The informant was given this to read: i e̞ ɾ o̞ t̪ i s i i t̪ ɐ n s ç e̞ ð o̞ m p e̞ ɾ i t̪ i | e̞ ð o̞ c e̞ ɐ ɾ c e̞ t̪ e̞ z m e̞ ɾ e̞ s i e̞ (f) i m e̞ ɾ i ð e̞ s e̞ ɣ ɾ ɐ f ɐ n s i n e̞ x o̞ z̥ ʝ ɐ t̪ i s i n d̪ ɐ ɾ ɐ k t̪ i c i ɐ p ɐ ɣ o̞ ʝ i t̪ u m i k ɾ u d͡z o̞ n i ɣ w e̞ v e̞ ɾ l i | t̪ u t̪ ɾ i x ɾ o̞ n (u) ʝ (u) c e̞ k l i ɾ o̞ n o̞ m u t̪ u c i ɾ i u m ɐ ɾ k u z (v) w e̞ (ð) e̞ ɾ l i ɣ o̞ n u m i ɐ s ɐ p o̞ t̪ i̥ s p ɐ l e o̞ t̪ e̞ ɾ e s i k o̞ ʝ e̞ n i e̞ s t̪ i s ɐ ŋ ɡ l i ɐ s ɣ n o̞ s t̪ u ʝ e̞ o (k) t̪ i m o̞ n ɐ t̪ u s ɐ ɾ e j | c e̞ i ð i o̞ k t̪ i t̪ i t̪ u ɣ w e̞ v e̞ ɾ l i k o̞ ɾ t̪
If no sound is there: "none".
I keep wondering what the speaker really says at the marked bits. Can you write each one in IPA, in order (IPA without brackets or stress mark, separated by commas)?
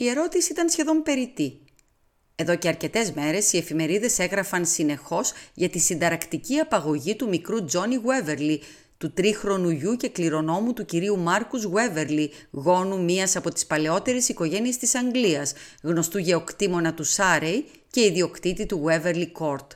f, u, u, ɣ, v, k